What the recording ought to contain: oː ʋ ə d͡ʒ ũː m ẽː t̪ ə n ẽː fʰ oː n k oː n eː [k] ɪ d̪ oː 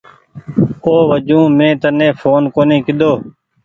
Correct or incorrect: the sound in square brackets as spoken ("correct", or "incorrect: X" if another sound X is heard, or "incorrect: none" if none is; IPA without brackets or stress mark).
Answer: correct